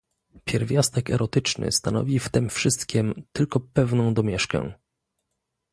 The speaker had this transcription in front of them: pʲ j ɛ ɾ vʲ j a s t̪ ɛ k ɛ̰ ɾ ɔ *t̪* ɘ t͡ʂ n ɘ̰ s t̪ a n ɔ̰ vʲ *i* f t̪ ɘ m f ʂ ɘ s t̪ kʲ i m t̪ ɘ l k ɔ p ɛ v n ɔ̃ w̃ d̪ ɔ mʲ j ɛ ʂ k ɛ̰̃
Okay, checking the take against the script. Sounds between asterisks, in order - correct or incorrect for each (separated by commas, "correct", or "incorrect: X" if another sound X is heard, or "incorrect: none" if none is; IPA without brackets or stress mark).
correct, correct